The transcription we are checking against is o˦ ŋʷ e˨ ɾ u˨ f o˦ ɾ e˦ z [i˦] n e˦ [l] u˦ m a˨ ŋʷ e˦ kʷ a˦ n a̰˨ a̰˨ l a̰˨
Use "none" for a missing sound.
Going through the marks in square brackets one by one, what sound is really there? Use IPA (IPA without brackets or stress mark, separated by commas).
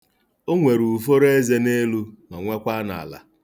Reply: e˦, l